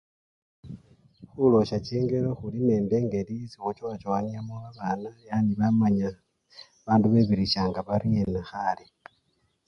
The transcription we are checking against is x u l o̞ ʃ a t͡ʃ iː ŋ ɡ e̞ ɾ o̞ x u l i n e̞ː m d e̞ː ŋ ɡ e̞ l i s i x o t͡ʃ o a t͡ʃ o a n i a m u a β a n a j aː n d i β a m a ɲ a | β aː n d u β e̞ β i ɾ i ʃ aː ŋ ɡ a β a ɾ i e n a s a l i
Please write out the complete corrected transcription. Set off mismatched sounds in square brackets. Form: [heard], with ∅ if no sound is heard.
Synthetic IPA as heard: x u l o̞ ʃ a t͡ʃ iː ŋ ɡ e̞ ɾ o̞ x u l i n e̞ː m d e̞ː ŋ ɡ e̞ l i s i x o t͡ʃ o a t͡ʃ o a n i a m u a β a n a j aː n d i β a m a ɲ a | β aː n d u β e̞ β i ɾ i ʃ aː ŋ ɡ a β a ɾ i e n a [x] a l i

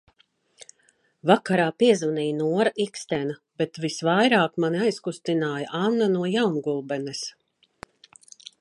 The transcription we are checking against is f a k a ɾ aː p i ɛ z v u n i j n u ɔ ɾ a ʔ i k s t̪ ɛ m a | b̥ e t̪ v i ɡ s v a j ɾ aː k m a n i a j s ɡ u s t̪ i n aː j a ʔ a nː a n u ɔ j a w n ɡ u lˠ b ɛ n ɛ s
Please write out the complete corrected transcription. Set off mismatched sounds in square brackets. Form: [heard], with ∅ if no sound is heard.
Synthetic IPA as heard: [v] a k a ɾ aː p i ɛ z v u n i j n u ɔ ɾ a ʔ i k s t̪ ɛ [n] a | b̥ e t̪ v i [∅] s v a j ɾ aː k m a n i a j s [k] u s t̪ i n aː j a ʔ a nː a n u ɔ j a w n ɡ u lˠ b ɛ n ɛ s

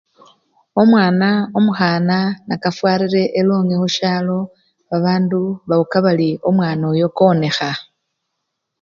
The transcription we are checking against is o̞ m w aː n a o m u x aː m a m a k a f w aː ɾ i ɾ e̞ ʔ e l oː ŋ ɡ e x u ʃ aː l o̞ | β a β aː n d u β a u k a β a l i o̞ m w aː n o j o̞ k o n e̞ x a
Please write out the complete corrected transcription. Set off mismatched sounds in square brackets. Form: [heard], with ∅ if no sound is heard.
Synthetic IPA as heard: o̞ m w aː n a o m u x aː [n] a [n] a k a f w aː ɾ i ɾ e̞ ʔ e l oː ŋ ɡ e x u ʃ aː l o̞ | β a β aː n d u β a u k a β a l i o̞ m w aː n o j o̞ k o n e̞ x a

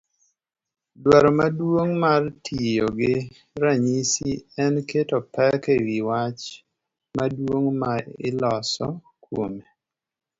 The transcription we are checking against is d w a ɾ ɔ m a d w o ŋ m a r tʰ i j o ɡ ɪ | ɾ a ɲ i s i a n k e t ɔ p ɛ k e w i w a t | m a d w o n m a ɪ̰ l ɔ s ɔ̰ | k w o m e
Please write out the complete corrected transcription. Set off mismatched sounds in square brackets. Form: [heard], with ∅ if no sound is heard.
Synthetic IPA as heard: d w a ɾ ɔ m a d w o ŋ m a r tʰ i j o ɡ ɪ | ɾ a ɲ i s i [ɛ] n k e t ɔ p ɛ k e w i w a [t͡ʃ] | m a d w o [ŋ] m a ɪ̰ l ɔ s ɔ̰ | k w o m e

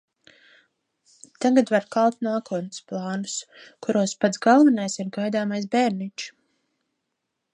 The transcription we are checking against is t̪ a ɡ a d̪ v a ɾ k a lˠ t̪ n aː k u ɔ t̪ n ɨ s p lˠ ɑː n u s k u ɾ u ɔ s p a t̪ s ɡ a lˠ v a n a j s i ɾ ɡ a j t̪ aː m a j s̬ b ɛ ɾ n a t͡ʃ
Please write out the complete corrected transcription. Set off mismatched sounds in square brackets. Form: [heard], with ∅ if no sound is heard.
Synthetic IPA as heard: t̪ a ɡ a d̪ v a ɾ k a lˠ t̪ n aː k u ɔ t̪ n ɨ s p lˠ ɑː n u s k u ɾ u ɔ s p a t̪ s ɡ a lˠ v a n a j s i ɾ ɡ a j [d̪] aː m a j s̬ b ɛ ɾ n [i] t͡ʃ

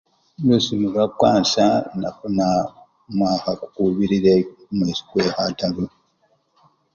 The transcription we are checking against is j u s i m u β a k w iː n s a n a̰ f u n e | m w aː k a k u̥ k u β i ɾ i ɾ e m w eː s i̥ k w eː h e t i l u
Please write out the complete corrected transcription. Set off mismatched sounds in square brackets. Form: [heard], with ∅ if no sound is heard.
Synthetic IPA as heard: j u s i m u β a k w [aː] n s a n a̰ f u n [a] | m w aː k a k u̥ k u β i ɾ i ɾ e m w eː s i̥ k w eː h [a] t [a] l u

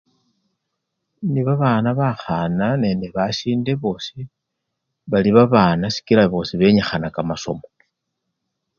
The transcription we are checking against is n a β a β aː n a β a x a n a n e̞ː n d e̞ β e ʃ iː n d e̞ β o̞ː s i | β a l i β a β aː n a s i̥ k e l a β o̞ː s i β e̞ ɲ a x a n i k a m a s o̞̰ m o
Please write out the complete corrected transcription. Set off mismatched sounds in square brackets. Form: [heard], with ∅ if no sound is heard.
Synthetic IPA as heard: n [i] β a β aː n a β a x a n a n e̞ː n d e̞ β [a] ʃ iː n d e̞ β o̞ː s i | β a l i β a β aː n a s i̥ k [i] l a β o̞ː s i β e̞ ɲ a x a n [a] k a m a s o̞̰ m o

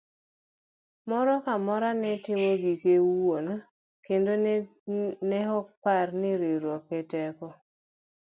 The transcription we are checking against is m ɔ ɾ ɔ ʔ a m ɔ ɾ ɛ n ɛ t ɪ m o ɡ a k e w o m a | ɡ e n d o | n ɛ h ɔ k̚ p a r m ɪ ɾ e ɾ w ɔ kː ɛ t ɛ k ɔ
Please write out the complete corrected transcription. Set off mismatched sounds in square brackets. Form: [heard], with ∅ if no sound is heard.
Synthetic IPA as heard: m ɔ ɾ ɔ [k] a m ɔ ɾ [a] n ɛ t ɪ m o ɡ [i] k e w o [n] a | [k] e n d o | n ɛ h ɔ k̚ p a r [n] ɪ ɾ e ɾ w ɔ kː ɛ t ɛ k ɔ

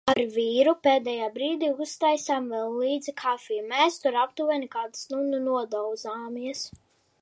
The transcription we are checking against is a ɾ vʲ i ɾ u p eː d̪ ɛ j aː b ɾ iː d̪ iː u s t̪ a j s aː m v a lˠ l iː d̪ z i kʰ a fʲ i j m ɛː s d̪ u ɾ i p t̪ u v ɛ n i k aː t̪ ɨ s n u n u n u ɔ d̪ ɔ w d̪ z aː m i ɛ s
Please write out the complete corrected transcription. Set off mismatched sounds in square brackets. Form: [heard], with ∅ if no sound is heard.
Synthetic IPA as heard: a ɾ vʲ [iː] ɾ u p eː d̪ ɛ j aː b ɾ iː d̪ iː u s t̪ a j s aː m v [ɛ] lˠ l iː d̪ z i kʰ a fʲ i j m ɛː s [t̪] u ɾ [a] p t̪ u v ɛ n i k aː [d̪] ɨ s n u n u n u ɔ d̪ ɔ w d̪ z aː m i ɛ s

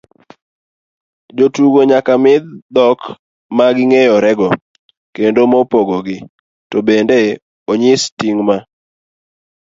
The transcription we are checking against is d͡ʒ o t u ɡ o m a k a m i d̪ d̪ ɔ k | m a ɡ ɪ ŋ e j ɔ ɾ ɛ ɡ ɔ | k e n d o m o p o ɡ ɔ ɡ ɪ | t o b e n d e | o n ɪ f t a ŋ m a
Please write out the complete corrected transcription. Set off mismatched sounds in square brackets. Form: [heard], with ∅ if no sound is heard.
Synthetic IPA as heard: d͡ʒ o t u ɡ o [ɲ] a k a m [ɪ] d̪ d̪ ɔ k | m a ɡ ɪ ŋ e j ɔ ɾ ɛ ɡ ɔ | k e n d o m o p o ɡ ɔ ɡ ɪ | t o b e n d e | o [ɲ] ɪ [s] t [i] ŋ m a

